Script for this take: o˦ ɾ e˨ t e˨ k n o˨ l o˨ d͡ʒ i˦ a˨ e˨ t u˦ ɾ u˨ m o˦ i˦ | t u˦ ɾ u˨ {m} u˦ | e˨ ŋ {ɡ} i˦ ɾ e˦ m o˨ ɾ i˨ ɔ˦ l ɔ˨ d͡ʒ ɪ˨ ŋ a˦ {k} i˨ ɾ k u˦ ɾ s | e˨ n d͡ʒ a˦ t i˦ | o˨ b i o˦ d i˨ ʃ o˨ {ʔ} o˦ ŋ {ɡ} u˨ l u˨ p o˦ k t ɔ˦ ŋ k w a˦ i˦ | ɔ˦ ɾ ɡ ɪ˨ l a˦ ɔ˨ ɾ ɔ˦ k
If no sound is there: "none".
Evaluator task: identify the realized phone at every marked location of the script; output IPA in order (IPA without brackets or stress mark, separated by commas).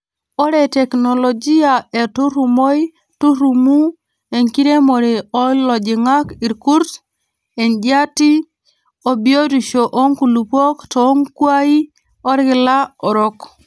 m, k, k, ʔ, k